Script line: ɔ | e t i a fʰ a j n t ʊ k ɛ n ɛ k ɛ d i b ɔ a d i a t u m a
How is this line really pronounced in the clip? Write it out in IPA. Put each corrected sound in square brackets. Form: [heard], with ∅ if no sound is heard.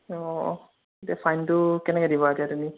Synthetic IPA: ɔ | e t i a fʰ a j n t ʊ k ɛ n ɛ k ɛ d i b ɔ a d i a t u m [i]